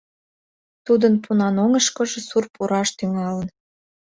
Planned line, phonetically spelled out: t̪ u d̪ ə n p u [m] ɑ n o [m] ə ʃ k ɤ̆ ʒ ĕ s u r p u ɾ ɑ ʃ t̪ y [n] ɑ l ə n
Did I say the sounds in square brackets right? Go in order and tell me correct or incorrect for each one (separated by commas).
incorrect, incorrect, incorrect